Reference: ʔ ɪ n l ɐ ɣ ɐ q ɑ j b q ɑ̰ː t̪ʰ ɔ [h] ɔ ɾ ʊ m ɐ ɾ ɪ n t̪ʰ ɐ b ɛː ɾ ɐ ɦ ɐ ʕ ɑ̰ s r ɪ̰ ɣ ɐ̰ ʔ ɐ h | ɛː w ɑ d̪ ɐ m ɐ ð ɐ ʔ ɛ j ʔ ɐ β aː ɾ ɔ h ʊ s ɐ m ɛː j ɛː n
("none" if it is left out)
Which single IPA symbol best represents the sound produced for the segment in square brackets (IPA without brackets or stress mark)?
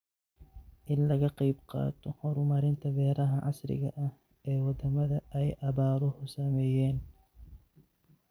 h